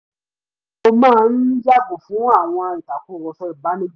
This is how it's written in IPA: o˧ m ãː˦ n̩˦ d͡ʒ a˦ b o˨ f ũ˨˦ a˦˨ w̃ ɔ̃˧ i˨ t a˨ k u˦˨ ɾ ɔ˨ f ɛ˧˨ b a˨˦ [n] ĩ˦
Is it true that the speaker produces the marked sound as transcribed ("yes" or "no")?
yes